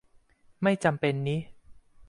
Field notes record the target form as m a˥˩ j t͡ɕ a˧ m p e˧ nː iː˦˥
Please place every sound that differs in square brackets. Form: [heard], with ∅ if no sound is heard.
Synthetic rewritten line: m a˥˩ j t͡ɕ a˧ m p e˧ nː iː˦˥